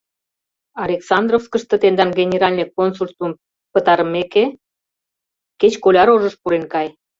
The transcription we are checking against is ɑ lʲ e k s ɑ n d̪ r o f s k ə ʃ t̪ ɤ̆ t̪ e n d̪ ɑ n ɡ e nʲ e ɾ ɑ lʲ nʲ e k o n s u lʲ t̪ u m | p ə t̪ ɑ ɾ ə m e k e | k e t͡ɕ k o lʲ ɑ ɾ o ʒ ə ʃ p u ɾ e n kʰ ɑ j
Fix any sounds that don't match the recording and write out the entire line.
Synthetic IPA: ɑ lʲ e k s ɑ n d̪ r o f s k ə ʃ t̪ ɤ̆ t̪ e n d̪ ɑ n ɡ e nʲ e ɾ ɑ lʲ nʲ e k o n s u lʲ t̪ u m | p ə t̪ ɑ ɾ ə m e k e | k e t͡ɕ k o lʲ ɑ ɾ o ʒ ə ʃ p u ɾ e n k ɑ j